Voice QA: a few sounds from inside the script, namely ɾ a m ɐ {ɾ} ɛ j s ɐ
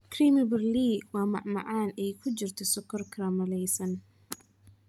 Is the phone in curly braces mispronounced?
yes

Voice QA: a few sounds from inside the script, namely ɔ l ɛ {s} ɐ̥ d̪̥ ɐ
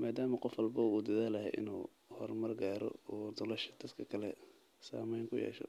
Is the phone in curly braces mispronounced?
yes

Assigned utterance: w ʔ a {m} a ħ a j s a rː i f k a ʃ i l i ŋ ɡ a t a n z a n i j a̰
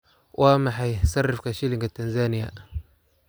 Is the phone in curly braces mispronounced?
no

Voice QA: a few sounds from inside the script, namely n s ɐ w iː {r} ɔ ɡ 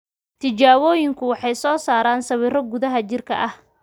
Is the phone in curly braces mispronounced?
no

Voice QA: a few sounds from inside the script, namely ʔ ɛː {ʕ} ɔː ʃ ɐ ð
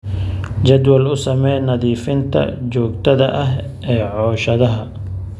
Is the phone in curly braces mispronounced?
no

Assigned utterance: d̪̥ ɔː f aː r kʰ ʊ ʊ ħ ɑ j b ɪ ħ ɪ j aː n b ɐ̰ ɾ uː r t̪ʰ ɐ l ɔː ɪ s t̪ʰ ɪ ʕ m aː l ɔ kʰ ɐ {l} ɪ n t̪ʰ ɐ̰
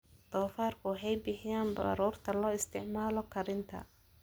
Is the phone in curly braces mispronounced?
yes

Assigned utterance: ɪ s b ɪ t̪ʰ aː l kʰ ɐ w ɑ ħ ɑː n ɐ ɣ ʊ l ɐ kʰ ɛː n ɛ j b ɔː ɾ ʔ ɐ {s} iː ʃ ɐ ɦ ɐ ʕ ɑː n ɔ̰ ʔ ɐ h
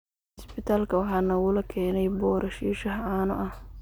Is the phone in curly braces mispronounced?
yes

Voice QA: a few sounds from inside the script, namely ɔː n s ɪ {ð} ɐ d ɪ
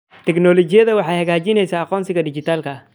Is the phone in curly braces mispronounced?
yes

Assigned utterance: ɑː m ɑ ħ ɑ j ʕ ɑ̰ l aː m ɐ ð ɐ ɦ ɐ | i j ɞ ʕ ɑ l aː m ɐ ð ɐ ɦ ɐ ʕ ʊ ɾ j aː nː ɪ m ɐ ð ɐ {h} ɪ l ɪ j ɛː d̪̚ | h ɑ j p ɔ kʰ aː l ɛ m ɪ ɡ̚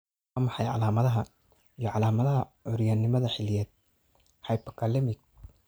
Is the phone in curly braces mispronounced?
yes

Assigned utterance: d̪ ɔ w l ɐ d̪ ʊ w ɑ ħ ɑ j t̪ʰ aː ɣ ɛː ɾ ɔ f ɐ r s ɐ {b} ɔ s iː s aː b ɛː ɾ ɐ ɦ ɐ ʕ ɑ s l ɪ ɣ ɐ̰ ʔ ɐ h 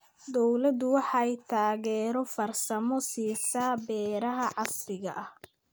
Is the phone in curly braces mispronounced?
yes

